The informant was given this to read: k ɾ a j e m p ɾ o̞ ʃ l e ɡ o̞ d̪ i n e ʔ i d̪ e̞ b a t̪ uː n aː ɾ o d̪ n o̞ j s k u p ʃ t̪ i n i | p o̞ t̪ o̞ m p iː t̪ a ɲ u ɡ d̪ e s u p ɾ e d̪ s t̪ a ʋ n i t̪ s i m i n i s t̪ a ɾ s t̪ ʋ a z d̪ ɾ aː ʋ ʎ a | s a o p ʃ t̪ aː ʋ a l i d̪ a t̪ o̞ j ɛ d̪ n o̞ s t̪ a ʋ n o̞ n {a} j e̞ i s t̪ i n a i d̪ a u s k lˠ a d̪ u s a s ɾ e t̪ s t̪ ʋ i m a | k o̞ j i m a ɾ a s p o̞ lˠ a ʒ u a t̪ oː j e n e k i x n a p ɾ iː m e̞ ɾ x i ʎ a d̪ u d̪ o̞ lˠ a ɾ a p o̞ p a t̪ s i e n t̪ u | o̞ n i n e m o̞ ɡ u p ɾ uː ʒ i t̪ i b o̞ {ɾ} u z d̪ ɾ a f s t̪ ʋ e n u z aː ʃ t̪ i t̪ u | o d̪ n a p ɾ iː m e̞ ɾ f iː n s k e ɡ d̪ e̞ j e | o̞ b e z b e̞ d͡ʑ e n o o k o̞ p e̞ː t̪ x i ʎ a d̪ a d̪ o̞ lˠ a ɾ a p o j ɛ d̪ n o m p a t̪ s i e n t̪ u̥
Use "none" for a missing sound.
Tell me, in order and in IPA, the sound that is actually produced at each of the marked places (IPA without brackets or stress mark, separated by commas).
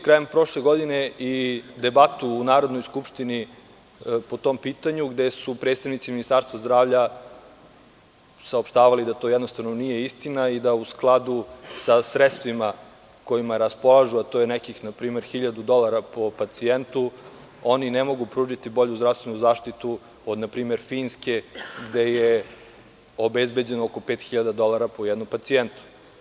i, ʎ